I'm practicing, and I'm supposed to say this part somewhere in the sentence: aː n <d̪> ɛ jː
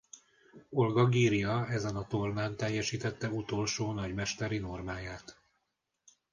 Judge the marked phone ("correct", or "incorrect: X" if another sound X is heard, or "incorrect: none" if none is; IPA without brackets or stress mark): incorrect: t̪